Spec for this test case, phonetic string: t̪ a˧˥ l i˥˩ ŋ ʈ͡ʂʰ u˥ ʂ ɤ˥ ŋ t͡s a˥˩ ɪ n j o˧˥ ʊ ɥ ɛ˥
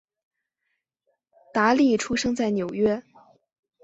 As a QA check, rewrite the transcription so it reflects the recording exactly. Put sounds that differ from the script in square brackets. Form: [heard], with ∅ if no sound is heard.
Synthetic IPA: t̪ a˧˥ l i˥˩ [∅] ʈ͡ʂʰ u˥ ʂ ɤ˥ ŋ t͡s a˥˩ ɪ n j [o˨˩] ʊ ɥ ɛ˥